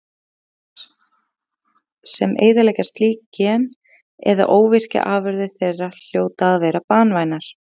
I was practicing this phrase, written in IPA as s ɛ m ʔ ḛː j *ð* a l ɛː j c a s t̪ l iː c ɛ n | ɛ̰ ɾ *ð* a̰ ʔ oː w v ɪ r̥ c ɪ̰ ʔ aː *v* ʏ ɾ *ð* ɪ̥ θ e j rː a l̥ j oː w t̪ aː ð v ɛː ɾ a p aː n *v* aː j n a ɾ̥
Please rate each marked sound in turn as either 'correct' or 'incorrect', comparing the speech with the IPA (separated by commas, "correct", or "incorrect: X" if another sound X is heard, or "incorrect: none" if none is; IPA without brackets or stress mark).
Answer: correct, correct, correct, correct, correct